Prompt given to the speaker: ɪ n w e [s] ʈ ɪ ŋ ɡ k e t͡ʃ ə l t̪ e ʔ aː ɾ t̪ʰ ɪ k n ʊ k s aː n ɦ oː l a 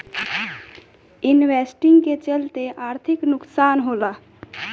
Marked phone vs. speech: correct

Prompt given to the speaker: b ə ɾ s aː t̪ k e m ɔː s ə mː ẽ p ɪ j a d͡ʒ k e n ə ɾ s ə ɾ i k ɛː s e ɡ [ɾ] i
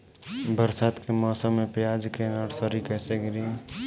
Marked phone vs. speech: correct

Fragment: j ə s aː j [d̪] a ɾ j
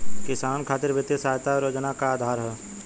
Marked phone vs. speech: incorrect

